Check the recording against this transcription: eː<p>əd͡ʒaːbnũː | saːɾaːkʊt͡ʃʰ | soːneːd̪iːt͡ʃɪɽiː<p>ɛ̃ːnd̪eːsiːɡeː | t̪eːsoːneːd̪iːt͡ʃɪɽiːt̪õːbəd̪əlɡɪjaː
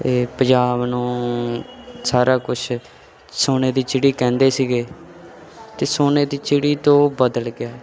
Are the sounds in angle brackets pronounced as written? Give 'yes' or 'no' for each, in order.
yes, no

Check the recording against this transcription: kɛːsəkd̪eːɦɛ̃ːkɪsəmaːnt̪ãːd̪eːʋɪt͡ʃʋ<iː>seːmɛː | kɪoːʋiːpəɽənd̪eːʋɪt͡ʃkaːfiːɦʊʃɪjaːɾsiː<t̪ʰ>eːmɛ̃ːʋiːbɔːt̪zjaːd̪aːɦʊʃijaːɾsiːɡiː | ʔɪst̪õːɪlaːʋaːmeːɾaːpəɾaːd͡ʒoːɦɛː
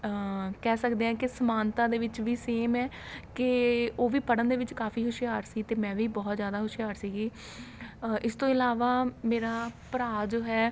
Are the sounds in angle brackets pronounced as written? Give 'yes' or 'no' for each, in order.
yes, no

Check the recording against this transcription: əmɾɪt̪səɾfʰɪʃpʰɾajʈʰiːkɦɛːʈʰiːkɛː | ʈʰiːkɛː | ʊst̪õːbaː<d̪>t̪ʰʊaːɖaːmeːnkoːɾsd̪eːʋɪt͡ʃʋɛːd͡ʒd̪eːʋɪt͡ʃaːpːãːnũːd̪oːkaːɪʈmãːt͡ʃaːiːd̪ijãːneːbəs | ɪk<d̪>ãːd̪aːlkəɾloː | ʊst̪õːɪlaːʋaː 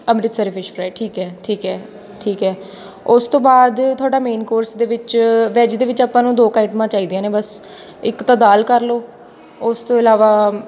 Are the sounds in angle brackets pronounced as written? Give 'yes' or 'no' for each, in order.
yes, no

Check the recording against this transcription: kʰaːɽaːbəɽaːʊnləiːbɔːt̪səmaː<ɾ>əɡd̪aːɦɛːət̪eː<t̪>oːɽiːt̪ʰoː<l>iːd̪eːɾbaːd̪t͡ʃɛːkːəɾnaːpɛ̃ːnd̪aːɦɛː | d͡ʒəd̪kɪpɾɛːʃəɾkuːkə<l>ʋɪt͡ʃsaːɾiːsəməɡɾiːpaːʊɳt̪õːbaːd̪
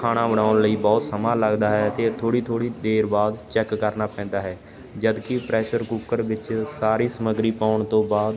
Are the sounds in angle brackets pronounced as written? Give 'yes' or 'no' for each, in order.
no, no, no, no

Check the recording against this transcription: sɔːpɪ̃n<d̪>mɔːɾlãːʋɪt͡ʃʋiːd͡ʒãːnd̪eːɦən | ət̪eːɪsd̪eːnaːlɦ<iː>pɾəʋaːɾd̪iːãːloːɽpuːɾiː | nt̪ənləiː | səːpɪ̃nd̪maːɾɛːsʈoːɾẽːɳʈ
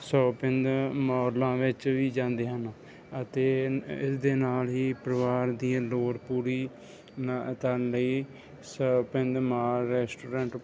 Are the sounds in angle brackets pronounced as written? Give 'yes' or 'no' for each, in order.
yes, yes

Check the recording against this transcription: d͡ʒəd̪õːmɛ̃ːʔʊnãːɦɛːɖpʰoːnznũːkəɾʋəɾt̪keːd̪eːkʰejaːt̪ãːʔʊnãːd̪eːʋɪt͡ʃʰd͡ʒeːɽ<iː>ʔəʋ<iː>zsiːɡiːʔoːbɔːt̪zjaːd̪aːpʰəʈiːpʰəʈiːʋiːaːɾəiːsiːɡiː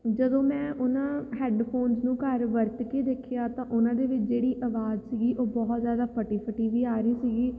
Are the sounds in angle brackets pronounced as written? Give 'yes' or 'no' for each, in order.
yes, no

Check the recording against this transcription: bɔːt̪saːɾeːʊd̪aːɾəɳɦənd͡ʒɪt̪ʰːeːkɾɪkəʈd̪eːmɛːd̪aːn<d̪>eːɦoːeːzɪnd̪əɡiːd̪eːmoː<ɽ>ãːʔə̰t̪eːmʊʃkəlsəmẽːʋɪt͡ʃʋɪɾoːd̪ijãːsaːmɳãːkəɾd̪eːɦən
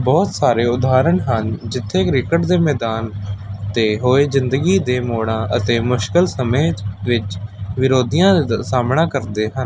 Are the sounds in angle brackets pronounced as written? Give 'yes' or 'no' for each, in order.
no, yes

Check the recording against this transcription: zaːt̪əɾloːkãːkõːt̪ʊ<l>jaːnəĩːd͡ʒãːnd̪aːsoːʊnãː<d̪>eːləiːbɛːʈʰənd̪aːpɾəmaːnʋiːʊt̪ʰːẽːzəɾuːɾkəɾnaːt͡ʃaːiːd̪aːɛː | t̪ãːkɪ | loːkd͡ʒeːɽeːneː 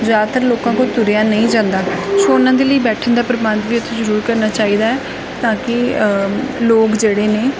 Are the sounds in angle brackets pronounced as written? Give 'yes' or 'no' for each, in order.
no, yes

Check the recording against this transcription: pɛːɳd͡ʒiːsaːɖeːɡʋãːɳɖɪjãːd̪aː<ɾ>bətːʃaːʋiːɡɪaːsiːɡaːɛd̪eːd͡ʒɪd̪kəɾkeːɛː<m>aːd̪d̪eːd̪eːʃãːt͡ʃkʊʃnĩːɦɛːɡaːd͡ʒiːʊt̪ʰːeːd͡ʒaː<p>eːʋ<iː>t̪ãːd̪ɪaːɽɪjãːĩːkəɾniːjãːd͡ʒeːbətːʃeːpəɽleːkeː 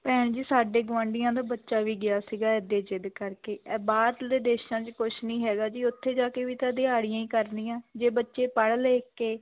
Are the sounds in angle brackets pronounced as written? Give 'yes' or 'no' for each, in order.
no, no, no, yes

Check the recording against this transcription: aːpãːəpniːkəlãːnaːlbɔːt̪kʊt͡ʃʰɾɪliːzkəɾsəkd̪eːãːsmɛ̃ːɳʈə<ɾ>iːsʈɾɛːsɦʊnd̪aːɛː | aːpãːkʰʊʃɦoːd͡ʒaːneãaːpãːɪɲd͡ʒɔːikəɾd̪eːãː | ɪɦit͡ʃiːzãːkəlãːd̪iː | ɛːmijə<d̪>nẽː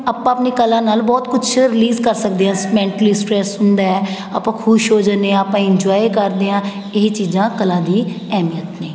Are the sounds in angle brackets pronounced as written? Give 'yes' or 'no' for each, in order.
no, no

